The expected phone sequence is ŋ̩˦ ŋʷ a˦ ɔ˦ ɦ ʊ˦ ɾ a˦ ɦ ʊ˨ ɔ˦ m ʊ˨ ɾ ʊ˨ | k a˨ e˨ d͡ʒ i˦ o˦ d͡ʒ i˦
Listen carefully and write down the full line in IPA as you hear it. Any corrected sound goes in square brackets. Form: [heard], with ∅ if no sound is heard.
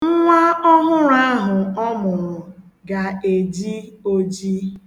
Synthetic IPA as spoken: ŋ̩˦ ŋʷ a˦ ɔ˦ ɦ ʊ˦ ɾ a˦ ɦ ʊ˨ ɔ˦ m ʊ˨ ɾ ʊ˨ | [ɡ] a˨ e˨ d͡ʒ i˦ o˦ d͡ʒ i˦